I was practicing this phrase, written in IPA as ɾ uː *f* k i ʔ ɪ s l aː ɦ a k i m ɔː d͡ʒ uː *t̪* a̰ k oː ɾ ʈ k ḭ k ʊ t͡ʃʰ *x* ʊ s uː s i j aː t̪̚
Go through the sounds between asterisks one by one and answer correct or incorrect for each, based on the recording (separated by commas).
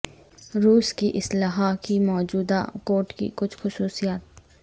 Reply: incorrect, incorrect, correct